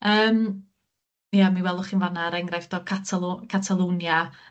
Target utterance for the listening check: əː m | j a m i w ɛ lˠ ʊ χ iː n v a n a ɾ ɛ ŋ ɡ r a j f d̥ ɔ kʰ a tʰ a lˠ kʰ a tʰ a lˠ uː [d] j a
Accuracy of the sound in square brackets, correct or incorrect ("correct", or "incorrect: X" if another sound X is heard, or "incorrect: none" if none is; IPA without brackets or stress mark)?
incorrect: n